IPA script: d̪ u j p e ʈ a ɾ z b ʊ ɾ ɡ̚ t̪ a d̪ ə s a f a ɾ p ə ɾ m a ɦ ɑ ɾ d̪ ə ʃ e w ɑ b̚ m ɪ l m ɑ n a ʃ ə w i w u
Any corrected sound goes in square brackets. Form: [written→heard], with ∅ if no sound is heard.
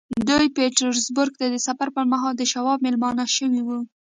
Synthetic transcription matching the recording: d̪ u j p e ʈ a ɾ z b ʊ ɾ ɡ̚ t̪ a d̪ ə s a f a ɾ p ə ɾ m a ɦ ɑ [ɾ→l] d̪ ə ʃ [e→a] w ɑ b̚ m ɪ l m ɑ n a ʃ ə w i w u